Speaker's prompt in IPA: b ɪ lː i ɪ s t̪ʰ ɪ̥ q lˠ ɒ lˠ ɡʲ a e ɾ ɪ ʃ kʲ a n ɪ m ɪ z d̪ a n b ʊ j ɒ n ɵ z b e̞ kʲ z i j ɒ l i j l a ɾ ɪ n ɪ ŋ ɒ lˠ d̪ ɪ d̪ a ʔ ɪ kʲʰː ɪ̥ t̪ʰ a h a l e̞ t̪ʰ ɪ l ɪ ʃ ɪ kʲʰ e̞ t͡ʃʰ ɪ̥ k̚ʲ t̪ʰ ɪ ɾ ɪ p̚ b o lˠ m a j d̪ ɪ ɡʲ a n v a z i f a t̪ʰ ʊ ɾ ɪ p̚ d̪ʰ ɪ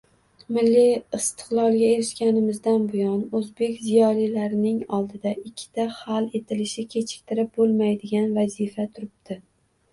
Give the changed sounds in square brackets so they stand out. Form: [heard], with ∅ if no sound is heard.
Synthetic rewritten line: [m] ɪ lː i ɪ s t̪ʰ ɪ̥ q lˠ ɒ lˠ ɡʲ a e ɾ ɪ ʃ kʲ a n ɪ m ɪ z d̪ a n b ʊ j ɒ n ɵ z b e̞ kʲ z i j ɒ l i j l a ɾ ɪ n ɪ ŋ ɒ lˠ d̪ ɪ d̪ a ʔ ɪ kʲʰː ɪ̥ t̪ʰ a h a l e̞ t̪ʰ ɪ l ɪ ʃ ɪ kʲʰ e̞ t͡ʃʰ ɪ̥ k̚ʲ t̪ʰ ɪ ɾ ɪ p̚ b o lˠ m a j d̪ ɪ ɡʲ a n v a z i f a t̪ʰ ʊ ɾ ɪ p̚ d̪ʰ ɪ